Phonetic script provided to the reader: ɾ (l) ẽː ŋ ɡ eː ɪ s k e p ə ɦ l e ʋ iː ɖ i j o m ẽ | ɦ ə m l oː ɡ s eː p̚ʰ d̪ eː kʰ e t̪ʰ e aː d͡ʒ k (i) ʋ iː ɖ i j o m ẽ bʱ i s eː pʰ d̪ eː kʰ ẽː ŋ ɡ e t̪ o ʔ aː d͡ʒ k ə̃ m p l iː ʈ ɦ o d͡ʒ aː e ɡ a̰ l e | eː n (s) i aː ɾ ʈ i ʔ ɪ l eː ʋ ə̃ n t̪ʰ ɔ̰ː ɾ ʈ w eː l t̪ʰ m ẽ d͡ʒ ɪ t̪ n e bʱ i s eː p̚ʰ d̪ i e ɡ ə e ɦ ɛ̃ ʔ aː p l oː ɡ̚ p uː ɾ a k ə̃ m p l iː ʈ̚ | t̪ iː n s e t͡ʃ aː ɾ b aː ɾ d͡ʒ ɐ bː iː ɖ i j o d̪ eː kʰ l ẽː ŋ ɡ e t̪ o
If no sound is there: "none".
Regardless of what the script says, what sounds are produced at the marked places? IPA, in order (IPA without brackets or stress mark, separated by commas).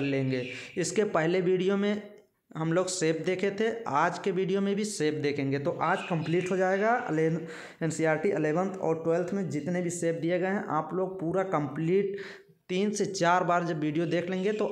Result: l, e, s